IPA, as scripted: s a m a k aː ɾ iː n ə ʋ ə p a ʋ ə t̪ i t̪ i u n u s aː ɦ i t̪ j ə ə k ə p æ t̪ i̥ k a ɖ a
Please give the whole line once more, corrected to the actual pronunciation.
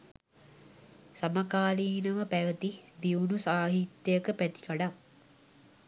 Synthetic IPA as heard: s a m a k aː l iː n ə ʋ ə p æ ʋ ə t̪ i d̪ i u n u s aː ɦ i t̪ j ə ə k ə p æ t̪ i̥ k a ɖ a